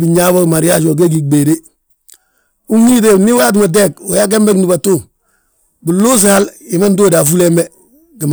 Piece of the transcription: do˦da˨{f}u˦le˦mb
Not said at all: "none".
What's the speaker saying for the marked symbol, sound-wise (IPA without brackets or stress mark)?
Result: f